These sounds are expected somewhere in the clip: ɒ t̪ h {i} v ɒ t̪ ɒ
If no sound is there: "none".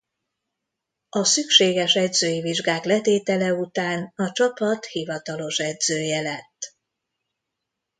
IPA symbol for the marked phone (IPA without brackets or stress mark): i